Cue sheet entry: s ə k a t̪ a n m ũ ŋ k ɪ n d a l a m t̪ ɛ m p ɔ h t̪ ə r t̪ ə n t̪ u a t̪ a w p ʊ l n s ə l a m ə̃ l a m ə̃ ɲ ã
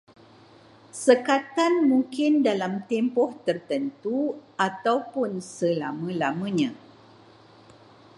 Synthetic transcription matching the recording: s ə k a t̪ a n m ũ ŋ k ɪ n d a l a m t̪ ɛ m p ɔ h t̪ ə r t̪ ə n t̪ u a t̪ a w p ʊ n s ə l a m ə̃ l a m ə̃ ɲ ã